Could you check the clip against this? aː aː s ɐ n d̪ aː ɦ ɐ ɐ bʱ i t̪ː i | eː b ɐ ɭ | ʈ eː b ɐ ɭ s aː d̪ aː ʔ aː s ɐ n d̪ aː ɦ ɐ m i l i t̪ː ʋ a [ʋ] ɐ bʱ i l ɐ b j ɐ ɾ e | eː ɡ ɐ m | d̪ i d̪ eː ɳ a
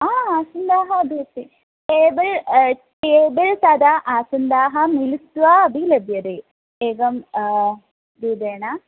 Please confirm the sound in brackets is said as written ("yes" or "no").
no